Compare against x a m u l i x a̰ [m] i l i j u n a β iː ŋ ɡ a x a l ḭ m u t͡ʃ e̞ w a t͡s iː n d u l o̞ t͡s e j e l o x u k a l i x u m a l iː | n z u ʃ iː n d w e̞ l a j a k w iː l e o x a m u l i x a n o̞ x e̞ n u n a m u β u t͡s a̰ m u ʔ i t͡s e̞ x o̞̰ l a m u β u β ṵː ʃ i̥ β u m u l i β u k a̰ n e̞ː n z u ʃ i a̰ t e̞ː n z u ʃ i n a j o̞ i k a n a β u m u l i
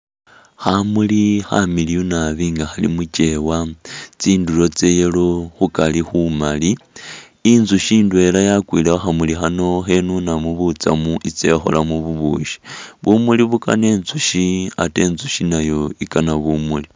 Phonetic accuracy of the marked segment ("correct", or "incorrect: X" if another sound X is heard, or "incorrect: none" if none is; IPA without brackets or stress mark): correct